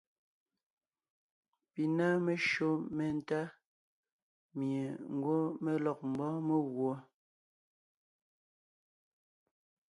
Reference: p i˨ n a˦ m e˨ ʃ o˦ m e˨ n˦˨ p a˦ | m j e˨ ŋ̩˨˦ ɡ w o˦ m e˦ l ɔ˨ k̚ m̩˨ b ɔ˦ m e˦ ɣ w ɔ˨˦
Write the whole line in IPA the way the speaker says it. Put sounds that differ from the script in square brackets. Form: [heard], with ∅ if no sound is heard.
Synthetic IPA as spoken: p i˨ n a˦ m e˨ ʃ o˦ m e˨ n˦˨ [t] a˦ | m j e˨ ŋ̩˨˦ ɡ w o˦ m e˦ l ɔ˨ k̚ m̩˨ b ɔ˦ m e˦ ɣ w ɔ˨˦

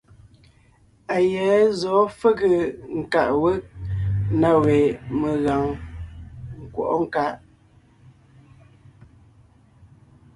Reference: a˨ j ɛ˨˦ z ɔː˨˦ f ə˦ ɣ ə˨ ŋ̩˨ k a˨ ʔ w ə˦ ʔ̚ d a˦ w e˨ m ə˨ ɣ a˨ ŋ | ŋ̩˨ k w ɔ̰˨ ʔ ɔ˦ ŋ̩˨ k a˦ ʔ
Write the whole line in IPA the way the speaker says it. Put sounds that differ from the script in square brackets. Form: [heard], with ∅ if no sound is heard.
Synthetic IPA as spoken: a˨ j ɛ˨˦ z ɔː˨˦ f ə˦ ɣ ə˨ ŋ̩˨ k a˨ ʔ w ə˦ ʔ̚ [n] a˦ w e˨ m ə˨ ɣ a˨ ŋ | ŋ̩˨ k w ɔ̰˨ ʔ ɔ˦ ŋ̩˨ k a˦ ʔ

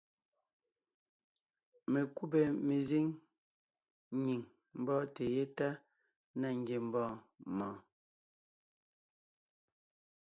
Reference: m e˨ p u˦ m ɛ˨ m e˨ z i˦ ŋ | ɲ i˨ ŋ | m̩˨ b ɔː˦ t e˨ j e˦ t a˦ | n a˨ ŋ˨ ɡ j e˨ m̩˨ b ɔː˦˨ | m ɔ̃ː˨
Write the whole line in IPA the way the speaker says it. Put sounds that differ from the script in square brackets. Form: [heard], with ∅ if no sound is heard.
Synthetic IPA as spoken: m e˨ [k] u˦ [b] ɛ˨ m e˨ z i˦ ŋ | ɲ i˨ ŋ | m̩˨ b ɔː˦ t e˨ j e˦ t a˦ | n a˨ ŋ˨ ɡ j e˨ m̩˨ b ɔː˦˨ | m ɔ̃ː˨

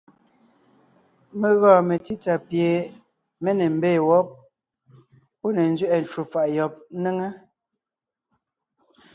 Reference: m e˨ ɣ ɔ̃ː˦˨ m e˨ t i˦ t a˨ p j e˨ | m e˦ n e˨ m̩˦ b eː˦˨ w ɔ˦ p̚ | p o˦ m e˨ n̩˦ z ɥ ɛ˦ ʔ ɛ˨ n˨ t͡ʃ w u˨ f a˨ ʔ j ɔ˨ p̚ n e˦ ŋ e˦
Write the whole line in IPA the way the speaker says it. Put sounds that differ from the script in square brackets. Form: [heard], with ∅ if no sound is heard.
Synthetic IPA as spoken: m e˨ ɣ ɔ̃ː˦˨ m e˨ t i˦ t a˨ p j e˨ | m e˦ n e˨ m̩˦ b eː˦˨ w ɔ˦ p̚ | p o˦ [n] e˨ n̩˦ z ɥ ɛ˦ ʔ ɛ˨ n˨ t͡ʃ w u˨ f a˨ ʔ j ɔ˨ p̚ n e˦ ŋ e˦

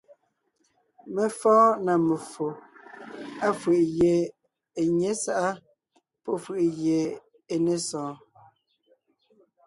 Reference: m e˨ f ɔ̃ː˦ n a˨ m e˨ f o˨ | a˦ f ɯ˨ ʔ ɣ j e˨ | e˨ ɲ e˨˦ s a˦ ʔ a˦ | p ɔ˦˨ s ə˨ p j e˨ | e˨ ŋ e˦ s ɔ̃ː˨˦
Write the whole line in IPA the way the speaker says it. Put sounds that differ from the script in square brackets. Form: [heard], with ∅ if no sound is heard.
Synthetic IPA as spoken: m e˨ f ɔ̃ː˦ n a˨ m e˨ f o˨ | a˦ f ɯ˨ ʔ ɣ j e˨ | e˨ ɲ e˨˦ s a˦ ʔ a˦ | p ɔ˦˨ [f] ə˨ [ʔ] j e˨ | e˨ [n] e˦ s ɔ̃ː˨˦

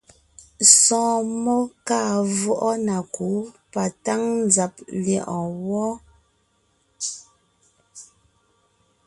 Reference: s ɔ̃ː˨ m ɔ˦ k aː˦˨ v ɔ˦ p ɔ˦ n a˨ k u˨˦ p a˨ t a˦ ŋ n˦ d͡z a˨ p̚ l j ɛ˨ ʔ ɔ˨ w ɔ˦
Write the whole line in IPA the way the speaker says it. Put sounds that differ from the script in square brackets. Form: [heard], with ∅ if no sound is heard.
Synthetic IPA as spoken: s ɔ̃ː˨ m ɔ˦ k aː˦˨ v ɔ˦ [ʔ] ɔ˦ n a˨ k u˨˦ p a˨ t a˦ ŋ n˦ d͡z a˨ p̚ l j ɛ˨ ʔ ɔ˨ w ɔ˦

